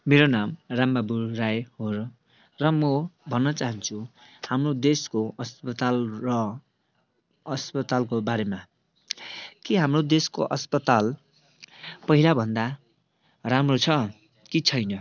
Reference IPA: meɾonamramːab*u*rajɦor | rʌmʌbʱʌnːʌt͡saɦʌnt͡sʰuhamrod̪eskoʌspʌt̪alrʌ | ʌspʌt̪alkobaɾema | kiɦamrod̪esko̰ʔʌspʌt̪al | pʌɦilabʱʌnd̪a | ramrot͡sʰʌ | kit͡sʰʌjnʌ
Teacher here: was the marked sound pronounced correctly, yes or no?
yes